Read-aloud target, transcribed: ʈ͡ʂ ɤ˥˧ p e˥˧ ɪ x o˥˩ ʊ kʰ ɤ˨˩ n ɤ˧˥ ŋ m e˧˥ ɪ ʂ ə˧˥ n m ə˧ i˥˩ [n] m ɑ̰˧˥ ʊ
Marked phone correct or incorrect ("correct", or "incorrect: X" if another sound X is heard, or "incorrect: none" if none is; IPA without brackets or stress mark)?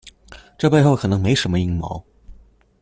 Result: incorrect: ŋ